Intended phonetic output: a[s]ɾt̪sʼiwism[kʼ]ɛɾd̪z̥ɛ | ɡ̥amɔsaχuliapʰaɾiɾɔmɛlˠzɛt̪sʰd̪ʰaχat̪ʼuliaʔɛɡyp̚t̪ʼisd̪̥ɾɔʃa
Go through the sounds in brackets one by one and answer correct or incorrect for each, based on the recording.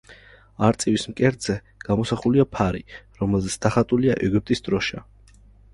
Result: incorrect: none, correct

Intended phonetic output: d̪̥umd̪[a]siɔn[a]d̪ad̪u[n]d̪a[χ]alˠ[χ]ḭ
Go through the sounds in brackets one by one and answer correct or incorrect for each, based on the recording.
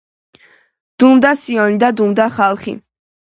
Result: correct, incorrect: i, incorrect: m, correct, correct

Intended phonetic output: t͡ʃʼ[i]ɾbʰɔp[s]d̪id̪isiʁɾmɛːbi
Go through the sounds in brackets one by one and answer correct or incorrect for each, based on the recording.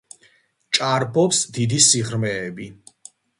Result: incorrect: a, correct

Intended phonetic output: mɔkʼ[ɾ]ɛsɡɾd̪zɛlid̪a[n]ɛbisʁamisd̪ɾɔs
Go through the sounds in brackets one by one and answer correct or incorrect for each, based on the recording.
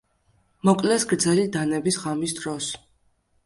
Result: incorrect: l, correct

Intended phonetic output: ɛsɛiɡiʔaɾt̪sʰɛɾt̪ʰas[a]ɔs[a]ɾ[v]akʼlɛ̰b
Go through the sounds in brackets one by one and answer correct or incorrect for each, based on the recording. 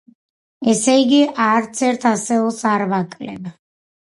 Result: incorrect: ɛ, correct, correct

